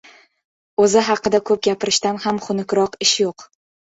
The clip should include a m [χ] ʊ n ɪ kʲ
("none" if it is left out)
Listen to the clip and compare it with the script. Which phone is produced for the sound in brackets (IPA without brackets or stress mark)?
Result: χ